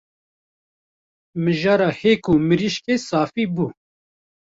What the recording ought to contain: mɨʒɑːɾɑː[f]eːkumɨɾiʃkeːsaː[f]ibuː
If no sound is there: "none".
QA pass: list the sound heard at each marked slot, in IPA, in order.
h, f

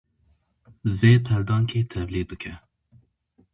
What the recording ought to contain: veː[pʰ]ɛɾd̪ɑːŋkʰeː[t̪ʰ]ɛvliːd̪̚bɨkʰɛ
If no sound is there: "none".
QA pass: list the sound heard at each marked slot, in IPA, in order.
pʰ, t̪ʰ

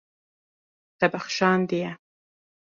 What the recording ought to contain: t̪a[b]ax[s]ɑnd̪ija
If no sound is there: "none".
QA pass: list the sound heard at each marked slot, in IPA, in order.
b, ʃ

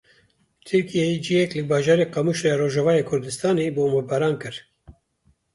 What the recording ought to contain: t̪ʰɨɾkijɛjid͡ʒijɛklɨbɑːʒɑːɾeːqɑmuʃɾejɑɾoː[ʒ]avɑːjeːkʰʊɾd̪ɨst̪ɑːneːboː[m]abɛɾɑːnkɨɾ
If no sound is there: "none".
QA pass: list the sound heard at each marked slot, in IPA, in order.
ʒ, m

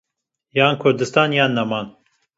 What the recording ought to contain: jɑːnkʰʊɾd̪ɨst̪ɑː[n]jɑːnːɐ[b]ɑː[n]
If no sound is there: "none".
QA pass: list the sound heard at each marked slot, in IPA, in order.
n, m, n

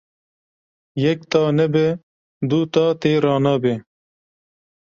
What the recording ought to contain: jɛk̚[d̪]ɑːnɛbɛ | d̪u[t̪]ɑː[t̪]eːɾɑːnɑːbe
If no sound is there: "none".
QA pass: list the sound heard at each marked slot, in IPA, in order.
t̪, t̪, t̪

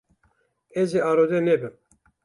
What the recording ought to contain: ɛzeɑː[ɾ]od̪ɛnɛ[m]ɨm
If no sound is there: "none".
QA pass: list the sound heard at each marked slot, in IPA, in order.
ɾ, b

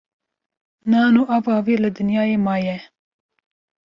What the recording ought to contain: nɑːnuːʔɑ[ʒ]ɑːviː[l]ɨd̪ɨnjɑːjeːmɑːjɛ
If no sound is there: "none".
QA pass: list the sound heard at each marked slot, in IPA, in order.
v, l

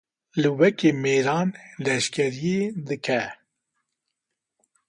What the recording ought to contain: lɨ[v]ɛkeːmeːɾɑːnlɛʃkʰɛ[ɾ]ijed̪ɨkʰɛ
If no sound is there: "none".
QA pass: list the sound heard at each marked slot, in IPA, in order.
w, ɾ

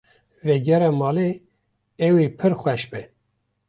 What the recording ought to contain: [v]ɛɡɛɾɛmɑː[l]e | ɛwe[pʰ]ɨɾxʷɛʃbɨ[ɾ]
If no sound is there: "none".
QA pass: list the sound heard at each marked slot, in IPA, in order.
v, l, pʰ, none

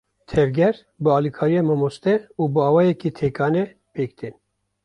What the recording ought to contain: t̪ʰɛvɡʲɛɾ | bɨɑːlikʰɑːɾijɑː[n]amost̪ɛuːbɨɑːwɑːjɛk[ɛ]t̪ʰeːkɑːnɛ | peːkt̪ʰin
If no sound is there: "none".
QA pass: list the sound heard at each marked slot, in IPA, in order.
m, i

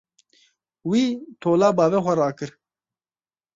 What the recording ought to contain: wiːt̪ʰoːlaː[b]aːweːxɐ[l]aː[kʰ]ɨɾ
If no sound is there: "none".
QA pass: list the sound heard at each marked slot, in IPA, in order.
b, ɾ, k

